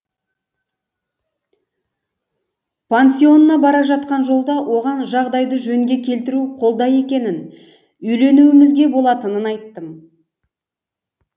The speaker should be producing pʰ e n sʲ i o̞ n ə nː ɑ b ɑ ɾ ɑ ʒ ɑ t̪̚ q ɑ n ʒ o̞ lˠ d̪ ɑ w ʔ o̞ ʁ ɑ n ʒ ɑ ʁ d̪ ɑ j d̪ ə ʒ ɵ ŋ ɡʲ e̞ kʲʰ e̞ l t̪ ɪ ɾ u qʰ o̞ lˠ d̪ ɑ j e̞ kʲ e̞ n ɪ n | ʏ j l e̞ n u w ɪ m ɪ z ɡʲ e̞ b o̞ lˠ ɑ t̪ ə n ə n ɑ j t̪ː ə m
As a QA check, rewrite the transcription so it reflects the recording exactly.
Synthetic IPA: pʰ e n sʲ i o̞ n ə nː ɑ b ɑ ɾ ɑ ʒ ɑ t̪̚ q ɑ n ʒ o̞ lˠ d̪ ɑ w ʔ o̞ ʁ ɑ n ʒ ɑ ʁ d̪ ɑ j d̪ ə ʒ ɵ ŋ ɡʲ e̞ kʲʰ e̞ l t̪ ɪ ɾ u qʰ o̞ lˠ d̪ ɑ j e̞ kʲ e̞ n ɪ n | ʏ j l e̞ n u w ɪ m ɪ z ɡʲ e̞ b o̞ lˠ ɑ t̪ ə n ə n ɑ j t̪ː ə m